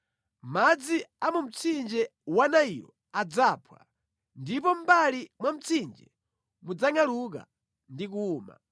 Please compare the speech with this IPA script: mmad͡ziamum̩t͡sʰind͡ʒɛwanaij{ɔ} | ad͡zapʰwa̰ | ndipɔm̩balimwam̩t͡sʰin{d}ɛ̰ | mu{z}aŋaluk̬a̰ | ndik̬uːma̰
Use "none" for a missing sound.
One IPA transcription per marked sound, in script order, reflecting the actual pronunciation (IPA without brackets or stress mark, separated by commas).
ɔ, d͡ʒ, d͡z